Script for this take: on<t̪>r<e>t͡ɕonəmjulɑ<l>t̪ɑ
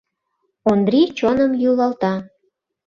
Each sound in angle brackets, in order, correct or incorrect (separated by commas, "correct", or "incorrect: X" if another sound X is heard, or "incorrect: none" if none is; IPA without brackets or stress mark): incorrect: d̪, incorrect: i, correct